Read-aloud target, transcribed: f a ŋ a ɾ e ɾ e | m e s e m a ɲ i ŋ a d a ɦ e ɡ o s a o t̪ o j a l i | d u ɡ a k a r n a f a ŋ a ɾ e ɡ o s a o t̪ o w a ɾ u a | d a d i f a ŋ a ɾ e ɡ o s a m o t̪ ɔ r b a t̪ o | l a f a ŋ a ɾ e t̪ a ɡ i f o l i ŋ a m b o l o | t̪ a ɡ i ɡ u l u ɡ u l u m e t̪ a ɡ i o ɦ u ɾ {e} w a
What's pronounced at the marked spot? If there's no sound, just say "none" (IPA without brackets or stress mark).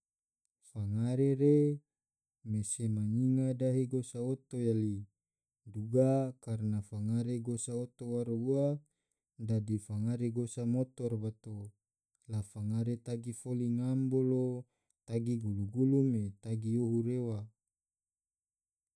e